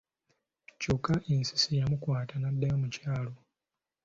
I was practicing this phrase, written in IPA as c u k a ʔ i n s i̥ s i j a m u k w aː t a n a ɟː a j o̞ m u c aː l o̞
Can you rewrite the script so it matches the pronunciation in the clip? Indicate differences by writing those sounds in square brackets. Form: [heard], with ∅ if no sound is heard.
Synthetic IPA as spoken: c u k a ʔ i n s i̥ s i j a m u k w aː t a n a [dː] a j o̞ m u c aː l o̞